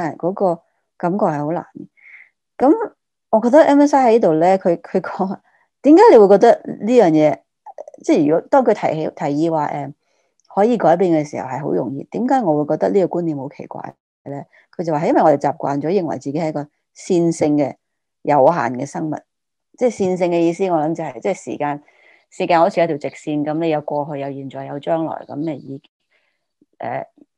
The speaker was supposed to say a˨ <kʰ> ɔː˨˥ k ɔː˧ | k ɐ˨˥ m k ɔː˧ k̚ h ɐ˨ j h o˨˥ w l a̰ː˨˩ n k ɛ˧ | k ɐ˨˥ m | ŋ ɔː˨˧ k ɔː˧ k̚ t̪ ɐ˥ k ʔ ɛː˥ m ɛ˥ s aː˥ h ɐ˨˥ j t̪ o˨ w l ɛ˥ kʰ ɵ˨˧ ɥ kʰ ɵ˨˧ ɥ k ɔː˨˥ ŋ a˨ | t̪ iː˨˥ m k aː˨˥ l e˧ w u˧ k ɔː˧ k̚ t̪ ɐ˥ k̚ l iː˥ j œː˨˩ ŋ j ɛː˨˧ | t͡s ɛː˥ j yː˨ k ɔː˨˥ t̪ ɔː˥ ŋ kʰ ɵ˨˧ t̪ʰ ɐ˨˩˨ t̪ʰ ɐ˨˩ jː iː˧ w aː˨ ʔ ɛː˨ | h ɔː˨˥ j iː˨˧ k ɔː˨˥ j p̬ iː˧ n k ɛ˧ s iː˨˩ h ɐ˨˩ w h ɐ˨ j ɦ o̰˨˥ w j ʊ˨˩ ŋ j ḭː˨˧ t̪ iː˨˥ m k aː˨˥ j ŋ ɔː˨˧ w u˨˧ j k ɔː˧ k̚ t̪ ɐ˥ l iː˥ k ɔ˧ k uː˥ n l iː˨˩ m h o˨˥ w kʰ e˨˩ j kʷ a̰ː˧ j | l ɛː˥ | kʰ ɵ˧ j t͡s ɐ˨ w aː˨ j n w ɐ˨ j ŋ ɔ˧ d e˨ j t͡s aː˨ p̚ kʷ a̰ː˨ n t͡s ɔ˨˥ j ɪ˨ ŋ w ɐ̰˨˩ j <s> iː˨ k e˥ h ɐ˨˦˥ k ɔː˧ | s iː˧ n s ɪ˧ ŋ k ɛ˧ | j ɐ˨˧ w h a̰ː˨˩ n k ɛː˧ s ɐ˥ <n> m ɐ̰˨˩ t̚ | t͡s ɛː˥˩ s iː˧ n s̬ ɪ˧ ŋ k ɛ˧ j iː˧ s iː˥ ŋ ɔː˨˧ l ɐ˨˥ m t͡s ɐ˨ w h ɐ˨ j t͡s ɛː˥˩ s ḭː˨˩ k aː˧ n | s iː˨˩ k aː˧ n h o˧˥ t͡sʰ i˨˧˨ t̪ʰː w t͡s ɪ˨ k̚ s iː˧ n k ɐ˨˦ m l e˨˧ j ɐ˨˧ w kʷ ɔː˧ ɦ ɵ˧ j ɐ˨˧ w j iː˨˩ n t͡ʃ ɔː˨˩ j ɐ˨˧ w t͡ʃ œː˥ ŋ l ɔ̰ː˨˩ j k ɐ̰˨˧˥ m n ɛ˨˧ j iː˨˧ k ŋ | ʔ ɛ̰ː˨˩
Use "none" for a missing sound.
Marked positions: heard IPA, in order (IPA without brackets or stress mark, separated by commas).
k, t͡s, ŋ